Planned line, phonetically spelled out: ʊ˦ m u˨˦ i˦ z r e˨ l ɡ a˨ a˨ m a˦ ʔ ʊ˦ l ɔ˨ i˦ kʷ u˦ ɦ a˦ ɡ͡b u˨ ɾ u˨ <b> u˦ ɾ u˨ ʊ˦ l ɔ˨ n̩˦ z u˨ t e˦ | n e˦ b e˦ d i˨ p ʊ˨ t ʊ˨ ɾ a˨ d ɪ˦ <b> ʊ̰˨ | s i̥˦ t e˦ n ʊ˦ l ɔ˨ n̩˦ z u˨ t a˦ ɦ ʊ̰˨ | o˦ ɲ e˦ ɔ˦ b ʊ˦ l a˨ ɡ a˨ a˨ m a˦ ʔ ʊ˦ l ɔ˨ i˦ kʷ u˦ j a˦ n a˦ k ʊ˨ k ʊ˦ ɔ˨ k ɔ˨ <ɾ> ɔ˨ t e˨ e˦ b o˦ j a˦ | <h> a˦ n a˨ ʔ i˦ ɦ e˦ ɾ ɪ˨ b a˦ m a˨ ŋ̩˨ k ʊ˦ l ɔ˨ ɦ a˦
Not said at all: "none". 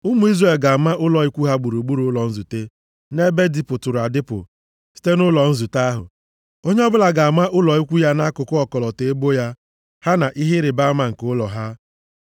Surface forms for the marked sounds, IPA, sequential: ɡ͡b, p, l, h

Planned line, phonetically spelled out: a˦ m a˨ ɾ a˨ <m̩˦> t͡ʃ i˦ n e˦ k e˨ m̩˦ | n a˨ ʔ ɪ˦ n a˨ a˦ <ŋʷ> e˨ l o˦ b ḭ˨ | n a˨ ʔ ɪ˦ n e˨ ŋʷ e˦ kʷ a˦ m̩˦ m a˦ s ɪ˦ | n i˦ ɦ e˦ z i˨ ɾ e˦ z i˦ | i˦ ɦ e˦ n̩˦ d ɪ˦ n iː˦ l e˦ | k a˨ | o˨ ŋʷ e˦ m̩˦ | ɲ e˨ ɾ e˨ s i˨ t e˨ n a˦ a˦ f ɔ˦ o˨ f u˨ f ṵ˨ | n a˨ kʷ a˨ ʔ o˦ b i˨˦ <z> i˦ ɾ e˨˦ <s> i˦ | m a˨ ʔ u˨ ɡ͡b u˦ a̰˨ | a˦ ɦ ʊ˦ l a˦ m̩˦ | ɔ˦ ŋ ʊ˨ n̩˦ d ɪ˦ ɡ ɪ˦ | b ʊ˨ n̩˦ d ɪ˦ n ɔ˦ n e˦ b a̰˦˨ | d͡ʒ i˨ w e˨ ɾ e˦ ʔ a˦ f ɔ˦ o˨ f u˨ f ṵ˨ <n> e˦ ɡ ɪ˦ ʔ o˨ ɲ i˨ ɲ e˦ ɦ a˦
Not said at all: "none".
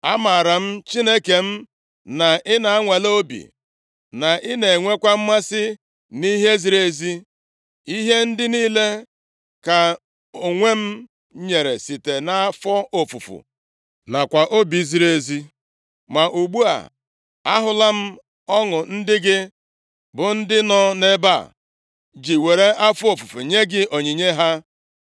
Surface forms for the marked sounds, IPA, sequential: m̩˦, ŋʷ, z, z, ɲ

